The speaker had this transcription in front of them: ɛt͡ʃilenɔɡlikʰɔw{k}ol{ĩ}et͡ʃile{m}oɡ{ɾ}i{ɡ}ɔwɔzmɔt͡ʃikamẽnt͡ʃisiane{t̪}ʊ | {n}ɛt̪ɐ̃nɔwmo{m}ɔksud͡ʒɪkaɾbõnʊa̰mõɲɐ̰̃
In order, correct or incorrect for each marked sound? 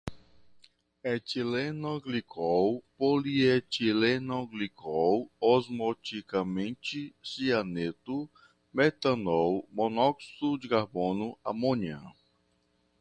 incorrect: p, incorrect: i, incorrect: n, incorrect: l, incorrect: k, correct, incorrect: m, incorrect: n

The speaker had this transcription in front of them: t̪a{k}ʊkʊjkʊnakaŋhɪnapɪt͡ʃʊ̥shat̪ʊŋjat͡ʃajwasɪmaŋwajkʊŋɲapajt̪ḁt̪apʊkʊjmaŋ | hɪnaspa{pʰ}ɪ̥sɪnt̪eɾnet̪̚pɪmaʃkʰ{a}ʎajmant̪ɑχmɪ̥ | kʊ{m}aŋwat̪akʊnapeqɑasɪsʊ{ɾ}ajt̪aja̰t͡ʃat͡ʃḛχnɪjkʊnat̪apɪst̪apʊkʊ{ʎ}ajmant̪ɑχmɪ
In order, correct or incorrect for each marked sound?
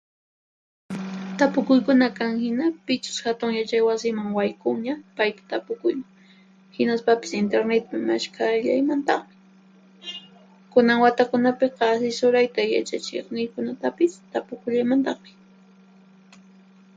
incorrect: p, incorrect: p, correct, incorrect: n, correct, correct

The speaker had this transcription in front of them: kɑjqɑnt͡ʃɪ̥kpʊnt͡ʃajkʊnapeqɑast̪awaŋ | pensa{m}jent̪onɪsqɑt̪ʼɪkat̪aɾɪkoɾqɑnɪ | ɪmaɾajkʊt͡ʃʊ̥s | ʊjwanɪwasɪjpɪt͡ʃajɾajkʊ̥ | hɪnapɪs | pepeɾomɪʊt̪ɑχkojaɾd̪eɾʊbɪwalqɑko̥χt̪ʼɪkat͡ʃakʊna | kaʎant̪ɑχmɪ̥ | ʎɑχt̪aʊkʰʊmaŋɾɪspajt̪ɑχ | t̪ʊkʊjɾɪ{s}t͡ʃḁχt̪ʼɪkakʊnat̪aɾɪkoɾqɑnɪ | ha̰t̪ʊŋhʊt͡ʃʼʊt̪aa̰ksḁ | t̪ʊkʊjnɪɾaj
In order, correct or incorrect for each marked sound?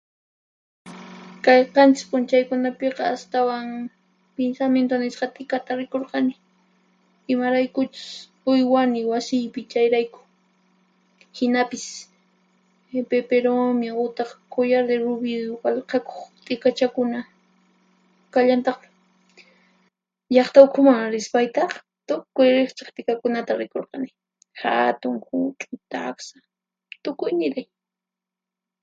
correct, incorrect: χ

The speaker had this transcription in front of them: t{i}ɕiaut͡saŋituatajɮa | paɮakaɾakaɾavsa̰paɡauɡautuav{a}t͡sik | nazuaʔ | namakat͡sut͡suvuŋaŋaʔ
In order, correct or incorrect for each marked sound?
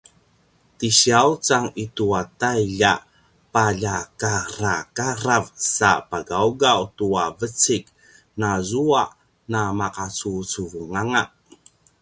correct, incorrect: ə

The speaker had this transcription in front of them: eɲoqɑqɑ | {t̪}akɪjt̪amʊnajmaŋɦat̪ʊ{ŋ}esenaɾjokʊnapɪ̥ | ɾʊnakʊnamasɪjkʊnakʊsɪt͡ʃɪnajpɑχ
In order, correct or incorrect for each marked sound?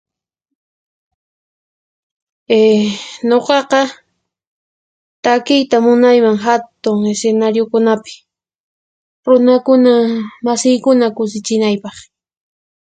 correct, correct

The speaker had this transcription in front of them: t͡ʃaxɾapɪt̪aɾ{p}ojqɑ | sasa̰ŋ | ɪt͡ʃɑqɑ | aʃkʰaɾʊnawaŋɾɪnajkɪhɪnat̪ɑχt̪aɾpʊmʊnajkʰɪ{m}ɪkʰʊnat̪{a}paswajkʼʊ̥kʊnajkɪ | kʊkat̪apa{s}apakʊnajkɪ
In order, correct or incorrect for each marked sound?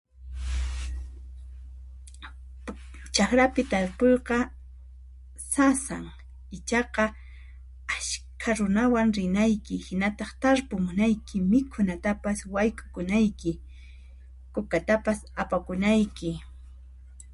correct, correct, correct, correct

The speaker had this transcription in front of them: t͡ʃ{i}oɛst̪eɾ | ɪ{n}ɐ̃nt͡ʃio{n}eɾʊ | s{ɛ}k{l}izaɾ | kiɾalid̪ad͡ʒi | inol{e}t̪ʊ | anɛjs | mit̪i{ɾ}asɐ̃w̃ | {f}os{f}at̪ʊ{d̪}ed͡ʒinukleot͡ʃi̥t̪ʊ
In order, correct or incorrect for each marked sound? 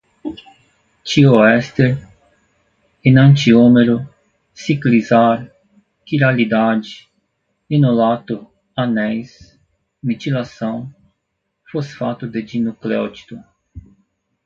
correct, correct, incorrect: m, incorrect: i, correct, incorrect: a, incorrect: l, correct, correct, correct

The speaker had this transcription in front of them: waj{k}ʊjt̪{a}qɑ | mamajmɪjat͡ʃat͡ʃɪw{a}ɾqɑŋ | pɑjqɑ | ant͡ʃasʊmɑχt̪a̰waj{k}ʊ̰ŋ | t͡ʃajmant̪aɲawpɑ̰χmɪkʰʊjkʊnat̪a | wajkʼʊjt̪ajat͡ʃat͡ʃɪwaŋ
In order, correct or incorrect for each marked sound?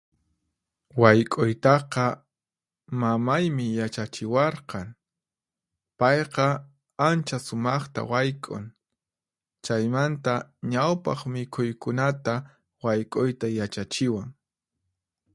incorrect: kʼ, incorrect: ɑ, incorrect: ɑ, incorrect: kʼ

